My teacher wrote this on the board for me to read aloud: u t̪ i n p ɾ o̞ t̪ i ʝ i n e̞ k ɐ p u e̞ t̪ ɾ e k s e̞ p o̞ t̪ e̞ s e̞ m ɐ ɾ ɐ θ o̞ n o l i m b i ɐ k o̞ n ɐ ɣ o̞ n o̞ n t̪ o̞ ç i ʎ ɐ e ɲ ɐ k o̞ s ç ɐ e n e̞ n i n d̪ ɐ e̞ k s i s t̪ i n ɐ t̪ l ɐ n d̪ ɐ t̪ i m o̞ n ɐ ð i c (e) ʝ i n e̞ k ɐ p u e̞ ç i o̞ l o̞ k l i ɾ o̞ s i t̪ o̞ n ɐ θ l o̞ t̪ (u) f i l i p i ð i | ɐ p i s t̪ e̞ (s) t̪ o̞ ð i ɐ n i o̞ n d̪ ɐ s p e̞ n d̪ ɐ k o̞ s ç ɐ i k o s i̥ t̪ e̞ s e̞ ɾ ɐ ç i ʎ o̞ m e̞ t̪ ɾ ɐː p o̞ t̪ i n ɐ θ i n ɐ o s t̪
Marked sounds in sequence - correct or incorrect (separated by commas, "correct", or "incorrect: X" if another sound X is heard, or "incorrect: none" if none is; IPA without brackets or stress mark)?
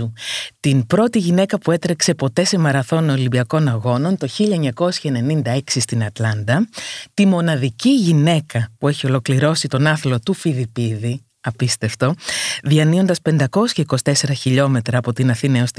incorrect: i, correct, incorrect: f